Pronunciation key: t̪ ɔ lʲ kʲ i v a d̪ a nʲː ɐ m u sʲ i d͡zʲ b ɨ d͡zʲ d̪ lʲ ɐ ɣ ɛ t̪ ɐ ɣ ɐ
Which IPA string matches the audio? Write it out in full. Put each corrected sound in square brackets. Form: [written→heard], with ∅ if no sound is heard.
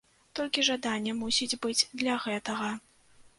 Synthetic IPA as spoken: t̪ ɔ lʲ kʲ i [v→ʐ] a d̪ a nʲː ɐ m u sʲ i d͡zʲ b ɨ d͡zʲ d̪ lʲ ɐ ɣ ɛ t̪ ɐ ɣ ɐ